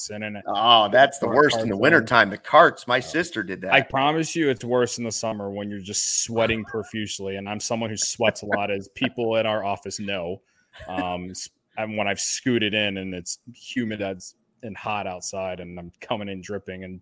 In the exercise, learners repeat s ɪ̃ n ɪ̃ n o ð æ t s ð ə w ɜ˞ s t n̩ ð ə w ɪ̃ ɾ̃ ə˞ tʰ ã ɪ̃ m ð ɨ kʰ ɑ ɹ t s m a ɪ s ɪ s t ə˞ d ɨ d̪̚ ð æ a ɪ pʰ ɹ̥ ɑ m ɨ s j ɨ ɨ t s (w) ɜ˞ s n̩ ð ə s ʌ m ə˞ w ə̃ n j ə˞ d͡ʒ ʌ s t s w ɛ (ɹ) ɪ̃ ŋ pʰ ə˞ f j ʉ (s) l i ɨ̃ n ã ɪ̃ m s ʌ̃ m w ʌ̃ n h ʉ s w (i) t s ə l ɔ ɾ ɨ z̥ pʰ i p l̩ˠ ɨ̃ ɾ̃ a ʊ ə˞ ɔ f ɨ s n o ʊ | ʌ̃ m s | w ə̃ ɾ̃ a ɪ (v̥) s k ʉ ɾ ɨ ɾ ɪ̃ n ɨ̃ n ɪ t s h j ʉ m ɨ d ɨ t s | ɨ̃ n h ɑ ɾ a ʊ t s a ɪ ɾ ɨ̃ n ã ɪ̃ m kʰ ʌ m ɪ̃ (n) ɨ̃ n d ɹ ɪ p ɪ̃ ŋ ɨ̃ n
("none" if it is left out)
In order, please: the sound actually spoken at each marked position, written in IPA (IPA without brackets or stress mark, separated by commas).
w, ɾ, s, ɛ, v̥, ŋ